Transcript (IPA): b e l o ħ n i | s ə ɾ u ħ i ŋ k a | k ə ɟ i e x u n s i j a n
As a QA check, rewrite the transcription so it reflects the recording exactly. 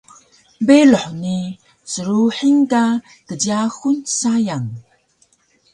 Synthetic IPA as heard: b e l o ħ n i | s ə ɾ u ħ i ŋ k a | k ə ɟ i a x u n s a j a ŋ

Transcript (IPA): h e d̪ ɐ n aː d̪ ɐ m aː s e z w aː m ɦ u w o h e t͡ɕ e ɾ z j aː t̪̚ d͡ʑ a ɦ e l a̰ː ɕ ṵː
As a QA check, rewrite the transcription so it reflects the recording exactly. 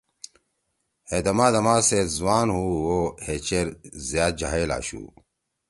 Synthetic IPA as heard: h e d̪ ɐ m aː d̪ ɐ m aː s e z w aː n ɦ u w o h e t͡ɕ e ɾ z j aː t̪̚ d͡ʑ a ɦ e l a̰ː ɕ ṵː

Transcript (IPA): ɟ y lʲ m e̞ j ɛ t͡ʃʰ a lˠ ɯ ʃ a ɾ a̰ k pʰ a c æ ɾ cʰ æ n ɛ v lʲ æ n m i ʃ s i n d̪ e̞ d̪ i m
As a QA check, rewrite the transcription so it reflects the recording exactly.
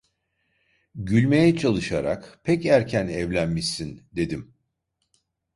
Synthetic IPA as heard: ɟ y lʲ m e̞ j ɛ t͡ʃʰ a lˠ ɯ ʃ a ɾ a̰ k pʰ ɛ c æ ɾ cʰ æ n ɛ v lʲ æ n m i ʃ s i n d̪ e̞ d̪ i m

